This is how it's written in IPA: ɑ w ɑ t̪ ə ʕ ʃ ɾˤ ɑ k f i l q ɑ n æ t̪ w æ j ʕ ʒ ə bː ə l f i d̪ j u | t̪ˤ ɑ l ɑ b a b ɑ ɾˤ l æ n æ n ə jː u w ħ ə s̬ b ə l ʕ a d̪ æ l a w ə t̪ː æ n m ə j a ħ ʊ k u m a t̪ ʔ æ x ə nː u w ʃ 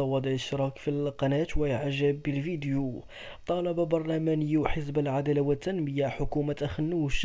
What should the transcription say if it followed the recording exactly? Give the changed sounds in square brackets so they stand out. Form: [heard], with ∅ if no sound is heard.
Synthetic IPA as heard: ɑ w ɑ [d̪] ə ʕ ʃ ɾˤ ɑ k f i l q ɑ n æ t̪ w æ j ʕ ʒ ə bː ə l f i d̪ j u | t̪ˤ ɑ l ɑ b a b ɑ ɾˤ l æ [m] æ n ə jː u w ħ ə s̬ b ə l ʕ a d̪ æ l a w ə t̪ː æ n m ə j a ħ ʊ k u m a t̪ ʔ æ x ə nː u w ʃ